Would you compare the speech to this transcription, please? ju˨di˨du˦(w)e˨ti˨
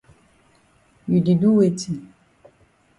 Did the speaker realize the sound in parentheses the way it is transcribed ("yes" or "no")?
yes